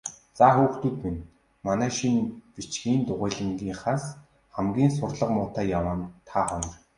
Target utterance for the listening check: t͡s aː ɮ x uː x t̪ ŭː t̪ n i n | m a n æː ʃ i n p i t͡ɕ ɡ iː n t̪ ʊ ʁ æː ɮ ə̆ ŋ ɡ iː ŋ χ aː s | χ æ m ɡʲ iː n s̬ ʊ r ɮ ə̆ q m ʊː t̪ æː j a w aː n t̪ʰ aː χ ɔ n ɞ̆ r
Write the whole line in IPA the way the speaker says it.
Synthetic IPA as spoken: t͡s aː x uː x t̪ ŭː t̪ m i n | m a n æː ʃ i n p i t͡ɕ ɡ iː n t̪ ʊ ʁ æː ɮ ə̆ ŋ ɡ iː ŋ χ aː s | χ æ m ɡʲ iː n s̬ ʊ r ɮ ə̆ q m ʊː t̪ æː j a w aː n t̪ʰ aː χ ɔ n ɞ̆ r